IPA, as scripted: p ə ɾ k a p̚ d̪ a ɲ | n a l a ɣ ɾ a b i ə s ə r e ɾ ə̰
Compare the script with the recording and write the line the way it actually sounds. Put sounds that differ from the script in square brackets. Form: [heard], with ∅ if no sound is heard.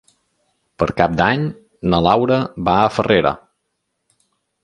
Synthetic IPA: p ə ɾ k a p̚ d̪ a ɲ | n [ə] l a [w] ɾ [ə] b [a] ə [f] ə r e ɾ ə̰